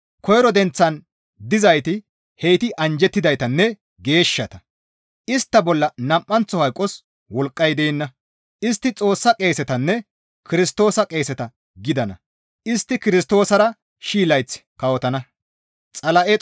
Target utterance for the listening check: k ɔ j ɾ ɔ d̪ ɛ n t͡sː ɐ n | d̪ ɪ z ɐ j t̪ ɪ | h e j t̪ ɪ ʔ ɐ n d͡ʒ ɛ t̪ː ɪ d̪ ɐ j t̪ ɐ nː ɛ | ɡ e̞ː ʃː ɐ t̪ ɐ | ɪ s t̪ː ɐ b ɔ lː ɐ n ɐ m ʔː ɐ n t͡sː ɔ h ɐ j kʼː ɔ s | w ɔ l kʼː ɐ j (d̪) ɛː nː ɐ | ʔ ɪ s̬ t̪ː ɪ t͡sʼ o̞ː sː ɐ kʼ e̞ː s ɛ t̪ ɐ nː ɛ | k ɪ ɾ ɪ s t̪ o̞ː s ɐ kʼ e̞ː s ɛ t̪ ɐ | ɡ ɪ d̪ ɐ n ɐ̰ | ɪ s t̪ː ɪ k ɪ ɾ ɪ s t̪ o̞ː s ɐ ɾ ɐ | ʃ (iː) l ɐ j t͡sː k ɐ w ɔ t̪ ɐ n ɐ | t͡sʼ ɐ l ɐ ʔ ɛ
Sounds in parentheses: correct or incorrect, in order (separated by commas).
correct, correct